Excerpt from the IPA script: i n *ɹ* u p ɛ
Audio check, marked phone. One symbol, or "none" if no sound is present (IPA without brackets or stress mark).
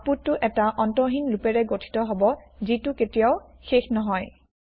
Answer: l